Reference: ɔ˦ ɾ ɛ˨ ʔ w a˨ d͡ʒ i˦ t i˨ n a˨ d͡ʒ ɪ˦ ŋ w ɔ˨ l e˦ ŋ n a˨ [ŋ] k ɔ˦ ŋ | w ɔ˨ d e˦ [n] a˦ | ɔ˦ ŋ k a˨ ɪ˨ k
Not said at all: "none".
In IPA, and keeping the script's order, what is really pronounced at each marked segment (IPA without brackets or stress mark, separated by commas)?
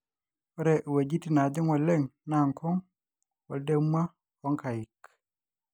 ŋ, m